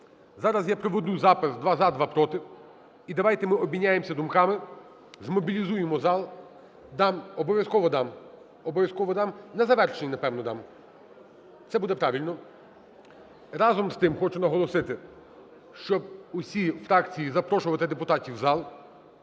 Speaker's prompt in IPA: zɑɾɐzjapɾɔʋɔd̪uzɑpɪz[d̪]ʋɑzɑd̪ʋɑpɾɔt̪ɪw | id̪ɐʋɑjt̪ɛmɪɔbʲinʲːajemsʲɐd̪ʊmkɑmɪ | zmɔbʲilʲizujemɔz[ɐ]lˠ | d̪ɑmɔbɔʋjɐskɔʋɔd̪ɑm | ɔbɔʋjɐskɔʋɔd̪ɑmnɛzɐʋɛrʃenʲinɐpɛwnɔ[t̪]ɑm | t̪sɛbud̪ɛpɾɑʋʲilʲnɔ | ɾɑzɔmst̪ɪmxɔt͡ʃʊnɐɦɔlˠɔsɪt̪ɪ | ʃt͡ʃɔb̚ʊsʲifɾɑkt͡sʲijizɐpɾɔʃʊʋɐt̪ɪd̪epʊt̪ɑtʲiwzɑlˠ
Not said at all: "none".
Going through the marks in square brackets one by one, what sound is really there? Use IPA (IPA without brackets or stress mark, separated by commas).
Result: d̪, ɑ, d̪